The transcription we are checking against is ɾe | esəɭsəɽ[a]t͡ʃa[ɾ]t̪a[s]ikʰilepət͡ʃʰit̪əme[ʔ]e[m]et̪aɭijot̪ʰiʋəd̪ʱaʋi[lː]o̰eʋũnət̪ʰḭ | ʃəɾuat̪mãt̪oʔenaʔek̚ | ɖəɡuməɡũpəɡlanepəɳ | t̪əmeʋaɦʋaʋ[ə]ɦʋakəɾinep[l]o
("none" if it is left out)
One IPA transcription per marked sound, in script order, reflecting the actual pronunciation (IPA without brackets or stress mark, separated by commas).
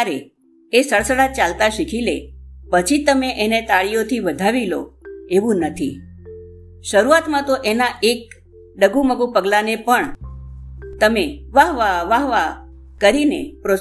a, l, ʃ, ʔ, n, l, a, ɾ